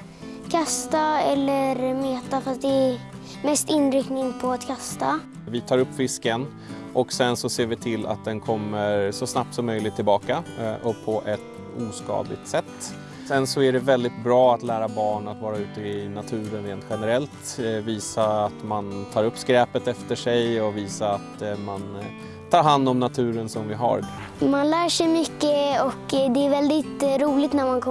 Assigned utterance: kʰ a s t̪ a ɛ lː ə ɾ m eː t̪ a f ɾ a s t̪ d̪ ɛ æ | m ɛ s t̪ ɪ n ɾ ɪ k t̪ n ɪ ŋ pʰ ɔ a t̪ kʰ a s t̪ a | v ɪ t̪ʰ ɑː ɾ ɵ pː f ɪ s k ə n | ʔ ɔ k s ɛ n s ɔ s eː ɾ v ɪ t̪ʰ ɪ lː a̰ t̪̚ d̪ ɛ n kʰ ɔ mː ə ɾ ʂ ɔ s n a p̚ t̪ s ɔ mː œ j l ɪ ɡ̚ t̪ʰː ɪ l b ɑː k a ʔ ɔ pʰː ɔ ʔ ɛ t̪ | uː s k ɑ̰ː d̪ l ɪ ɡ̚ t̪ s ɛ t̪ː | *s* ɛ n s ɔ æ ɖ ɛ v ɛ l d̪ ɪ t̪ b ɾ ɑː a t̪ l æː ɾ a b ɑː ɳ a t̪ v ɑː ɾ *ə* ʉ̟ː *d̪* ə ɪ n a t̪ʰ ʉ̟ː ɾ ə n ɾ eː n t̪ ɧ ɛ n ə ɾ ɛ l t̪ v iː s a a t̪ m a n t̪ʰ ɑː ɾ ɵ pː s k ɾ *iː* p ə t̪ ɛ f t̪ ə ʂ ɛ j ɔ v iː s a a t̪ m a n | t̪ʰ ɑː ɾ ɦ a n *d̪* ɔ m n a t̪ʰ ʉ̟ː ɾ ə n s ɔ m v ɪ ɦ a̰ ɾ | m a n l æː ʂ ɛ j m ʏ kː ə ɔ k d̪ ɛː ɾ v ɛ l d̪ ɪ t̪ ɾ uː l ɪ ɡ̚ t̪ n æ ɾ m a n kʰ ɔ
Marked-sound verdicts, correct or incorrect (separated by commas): correct, incorrect, incorrect, incorrect, correct